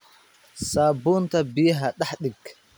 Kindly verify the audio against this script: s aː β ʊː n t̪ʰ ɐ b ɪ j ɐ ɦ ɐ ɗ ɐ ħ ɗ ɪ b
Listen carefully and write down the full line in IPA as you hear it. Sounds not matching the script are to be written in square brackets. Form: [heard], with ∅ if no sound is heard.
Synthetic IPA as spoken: s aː [b] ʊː n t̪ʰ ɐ b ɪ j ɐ ɦ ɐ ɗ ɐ ħ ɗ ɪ [ɡ]